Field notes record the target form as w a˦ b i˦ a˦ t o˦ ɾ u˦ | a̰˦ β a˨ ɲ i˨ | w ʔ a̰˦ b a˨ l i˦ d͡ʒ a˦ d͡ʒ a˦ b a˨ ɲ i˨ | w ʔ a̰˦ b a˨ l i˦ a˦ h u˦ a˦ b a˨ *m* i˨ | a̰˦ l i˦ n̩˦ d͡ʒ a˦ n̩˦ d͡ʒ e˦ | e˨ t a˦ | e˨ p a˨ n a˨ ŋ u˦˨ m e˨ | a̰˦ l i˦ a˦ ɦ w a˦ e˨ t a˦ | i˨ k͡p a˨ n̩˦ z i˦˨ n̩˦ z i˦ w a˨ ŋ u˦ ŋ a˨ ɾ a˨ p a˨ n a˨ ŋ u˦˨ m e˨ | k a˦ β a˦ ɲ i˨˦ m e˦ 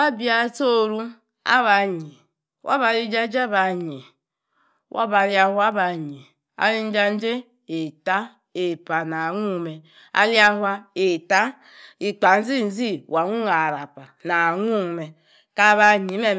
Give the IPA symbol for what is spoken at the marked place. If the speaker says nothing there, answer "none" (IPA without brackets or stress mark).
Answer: ɲ